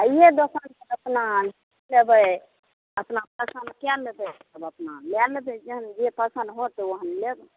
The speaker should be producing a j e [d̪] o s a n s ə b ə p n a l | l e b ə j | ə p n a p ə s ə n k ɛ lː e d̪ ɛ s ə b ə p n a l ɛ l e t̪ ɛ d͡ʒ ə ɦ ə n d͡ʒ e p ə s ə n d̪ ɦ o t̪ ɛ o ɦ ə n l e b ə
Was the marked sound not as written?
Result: no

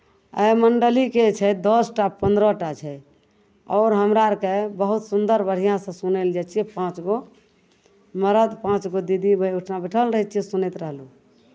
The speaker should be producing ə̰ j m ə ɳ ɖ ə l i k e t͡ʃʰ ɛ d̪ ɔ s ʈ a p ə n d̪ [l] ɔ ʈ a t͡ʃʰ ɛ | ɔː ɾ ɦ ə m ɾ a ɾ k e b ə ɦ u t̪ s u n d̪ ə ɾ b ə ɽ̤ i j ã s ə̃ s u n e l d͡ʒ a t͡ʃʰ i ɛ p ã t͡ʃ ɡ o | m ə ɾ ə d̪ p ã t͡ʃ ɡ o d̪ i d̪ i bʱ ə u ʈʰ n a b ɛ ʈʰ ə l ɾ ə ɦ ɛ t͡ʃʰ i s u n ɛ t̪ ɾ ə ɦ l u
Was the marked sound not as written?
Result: yes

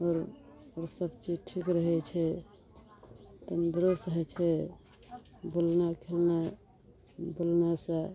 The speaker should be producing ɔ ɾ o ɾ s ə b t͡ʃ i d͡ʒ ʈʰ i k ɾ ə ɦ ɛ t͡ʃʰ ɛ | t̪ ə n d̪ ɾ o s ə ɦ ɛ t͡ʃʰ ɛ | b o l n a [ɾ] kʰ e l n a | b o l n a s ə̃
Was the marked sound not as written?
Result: yes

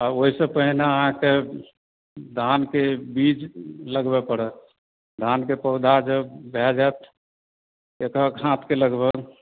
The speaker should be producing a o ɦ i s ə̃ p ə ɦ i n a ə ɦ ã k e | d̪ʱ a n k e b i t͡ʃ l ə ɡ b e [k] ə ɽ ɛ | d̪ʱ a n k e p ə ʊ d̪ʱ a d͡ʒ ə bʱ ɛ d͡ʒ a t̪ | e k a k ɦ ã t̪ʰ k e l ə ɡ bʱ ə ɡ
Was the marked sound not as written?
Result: yes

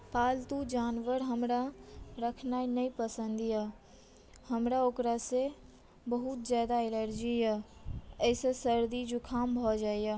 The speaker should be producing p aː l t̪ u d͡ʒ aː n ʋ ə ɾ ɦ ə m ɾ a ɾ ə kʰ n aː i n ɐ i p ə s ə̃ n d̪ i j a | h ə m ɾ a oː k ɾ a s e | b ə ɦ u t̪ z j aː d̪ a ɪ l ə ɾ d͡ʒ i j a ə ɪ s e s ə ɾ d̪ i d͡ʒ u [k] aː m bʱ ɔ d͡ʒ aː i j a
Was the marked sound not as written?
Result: yes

